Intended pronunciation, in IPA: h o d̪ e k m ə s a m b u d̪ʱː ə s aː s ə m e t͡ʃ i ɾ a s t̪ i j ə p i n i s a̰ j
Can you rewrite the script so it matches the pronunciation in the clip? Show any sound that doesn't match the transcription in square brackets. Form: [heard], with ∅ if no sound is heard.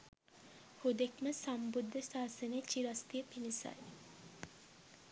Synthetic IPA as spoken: h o d̪ e k m ə s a m b u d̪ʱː ə s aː s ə [n] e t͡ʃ i ɾ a s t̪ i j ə p i n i s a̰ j

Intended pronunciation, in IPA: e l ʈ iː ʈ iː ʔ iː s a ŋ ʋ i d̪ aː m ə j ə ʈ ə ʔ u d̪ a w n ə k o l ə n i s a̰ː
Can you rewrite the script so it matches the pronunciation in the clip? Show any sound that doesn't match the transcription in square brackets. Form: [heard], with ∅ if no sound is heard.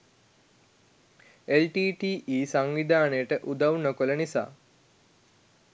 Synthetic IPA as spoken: e l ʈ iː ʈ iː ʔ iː s a ŋ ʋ i d̪ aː [n] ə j ə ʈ ə ʔ u d̪ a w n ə k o l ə n i s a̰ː

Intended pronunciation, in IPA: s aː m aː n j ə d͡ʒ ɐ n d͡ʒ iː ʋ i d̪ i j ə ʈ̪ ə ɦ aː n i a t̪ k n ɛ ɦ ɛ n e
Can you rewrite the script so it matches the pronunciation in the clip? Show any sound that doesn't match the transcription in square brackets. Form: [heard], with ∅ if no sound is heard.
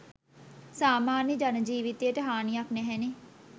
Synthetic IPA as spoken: s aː m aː n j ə d͡ʒ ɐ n d͡ʒ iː ʋ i [t̪] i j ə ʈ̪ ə ɦ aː n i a [∅] k n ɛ ɦ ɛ n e

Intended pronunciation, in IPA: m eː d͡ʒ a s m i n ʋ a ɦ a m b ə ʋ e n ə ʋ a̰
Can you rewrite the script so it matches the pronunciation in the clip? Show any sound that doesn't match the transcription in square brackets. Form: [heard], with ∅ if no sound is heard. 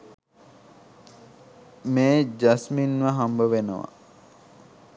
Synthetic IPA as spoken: m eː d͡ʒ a s m i n ʋ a ɦ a m b ə ʋ e n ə ʋ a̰

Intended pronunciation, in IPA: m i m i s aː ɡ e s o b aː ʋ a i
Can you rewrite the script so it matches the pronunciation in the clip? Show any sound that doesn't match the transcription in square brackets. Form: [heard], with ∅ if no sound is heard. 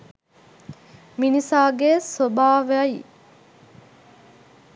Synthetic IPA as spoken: m i [n] i s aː ɡ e s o b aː ʋ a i

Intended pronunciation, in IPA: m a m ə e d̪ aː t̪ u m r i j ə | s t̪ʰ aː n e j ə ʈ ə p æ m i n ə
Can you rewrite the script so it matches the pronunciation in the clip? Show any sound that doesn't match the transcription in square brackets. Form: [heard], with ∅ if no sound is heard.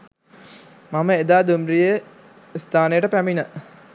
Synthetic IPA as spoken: m a m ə e d̪ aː [d̪] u m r i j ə | s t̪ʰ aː n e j ə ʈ ə p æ m i n ə

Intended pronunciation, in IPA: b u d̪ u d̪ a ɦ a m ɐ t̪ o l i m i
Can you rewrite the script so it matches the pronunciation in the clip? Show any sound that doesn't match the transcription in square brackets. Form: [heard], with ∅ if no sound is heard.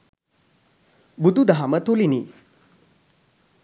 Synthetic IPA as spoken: b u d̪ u d̪ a ɦ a m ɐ t̪ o l i [n] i

